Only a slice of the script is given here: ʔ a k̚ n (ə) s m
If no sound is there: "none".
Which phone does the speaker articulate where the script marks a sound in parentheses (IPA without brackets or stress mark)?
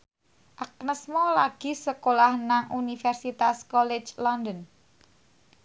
ə